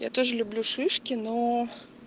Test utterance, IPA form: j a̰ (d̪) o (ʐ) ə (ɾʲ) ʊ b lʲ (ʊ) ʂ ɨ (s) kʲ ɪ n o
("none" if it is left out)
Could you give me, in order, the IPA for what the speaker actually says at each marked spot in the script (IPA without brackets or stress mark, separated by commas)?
t̪, ʐ, lʲ, u, ʂ